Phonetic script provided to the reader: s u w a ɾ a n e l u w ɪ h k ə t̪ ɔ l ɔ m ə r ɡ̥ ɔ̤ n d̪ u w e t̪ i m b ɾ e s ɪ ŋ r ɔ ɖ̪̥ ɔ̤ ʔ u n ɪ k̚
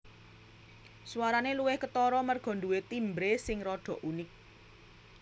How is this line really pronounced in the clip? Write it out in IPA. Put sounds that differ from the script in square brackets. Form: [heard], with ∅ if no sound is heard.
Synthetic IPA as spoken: s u w a ɾ a n e l u w ɪ h k ə t̪ ɔ [ɾ] ɔ m ə r ɡ̥ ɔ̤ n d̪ u w e t̪ i m b ɾ e s ɪ ŋ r ɔ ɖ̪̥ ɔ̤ ʔ u n ɪ k̚